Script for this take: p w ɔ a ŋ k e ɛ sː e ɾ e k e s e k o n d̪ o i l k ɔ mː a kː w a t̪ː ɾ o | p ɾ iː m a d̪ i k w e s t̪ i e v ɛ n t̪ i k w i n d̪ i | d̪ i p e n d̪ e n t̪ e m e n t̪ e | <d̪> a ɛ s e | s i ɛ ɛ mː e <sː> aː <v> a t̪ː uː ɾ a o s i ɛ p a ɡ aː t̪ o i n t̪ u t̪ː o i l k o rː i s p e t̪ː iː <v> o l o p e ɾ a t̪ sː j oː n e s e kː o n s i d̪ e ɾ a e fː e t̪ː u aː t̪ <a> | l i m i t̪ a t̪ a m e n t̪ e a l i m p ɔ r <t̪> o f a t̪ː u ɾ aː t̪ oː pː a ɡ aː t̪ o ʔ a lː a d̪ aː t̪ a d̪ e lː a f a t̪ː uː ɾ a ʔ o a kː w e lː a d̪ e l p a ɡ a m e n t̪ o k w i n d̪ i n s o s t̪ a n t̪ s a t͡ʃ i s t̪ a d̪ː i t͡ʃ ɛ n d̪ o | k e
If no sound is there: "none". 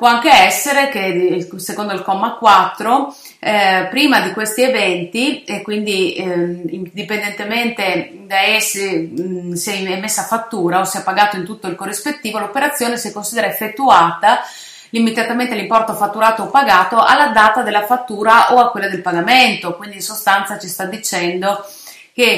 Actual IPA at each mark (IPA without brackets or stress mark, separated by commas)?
d̪, sː, f, v, a, t̪